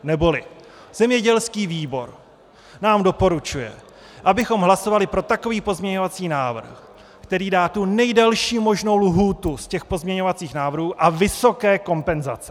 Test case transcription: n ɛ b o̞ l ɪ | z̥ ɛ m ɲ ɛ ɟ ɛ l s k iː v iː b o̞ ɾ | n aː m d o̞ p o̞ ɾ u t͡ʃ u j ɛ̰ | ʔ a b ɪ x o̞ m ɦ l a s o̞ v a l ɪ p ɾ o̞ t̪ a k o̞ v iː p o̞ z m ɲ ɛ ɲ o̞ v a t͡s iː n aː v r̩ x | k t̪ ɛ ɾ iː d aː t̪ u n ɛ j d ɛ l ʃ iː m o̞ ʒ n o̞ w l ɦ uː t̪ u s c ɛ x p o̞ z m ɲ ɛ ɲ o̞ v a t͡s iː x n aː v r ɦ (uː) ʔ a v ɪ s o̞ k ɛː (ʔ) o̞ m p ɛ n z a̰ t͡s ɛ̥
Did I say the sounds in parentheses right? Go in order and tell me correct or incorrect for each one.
correct, incorrect: k

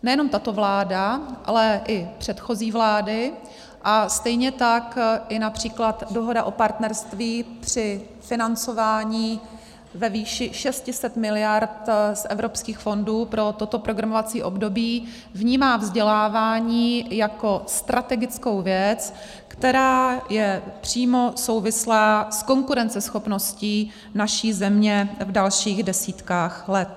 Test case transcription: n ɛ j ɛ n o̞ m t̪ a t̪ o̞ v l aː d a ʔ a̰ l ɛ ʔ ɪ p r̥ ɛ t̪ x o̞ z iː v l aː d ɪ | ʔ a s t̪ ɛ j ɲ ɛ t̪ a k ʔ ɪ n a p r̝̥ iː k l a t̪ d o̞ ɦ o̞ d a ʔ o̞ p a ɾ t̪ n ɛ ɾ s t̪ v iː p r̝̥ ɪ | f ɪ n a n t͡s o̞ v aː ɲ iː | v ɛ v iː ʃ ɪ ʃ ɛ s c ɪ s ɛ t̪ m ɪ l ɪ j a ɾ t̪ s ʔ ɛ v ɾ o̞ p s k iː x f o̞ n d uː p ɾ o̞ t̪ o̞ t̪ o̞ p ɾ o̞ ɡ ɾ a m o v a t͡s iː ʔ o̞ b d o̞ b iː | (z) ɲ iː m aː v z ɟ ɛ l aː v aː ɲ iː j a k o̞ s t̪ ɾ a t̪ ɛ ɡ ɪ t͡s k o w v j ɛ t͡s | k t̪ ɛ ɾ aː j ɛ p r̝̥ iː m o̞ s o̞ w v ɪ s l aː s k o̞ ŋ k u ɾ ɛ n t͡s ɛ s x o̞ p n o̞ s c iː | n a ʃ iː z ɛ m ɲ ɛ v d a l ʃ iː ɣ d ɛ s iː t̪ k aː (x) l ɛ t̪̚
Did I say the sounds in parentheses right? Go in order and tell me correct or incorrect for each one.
incorrect: v, correct

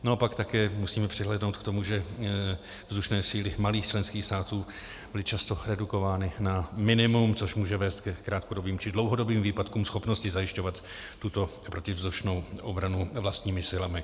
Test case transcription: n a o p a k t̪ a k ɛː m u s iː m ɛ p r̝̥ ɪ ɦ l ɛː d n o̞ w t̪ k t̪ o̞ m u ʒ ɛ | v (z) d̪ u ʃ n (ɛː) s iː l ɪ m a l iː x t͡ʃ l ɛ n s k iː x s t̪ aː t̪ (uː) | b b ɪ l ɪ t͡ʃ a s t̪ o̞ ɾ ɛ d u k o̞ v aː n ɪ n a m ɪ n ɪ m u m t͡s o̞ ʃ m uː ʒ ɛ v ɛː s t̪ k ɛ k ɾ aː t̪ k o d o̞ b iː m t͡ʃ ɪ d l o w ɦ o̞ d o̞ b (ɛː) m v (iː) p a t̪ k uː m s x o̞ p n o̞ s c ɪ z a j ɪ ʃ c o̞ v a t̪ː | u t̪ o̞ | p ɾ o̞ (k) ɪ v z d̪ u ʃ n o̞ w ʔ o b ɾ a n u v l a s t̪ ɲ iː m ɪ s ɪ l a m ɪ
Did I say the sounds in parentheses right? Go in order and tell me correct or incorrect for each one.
correct, correct, correct, incorrect: iː, correct, incorrect: c

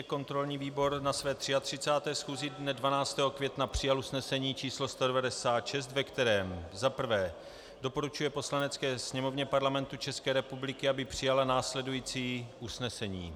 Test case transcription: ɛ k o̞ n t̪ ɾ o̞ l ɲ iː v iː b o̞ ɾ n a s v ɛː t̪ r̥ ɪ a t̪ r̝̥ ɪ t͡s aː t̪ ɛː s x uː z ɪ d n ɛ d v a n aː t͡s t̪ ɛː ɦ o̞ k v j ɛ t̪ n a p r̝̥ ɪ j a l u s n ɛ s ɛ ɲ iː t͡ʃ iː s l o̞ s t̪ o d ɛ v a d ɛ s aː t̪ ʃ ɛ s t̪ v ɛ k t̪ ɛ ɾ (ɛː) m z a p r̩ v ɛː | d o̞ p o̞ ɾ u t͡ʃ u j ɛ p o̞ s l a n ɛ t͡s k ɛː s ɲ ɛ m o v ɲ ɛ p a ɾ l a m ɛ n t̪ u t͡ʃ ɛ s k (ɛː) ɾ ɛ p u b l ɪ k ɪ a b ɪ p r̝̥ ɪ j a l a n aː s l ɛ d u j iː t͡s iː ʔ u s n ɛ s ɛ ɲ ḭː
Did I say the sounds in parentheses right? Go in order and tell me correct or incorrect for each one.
correct, correct

